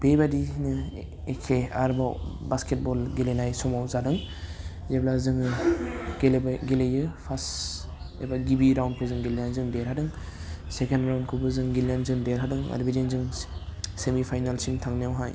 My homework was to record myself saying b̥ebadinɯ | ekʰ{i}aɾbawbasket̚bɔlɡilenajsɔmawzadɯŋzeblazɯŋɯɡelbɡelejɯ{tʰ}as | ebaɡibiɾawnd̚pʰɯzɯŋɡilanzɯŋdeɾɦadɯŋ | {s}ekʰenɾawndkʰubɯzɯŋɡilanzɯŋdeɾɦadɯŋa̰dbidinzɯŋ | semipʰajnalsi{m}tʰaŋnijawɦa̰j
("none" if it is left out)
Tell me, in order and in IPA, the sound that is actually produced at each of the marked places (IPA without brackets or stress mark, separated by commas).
e, pʰ, s, ŋ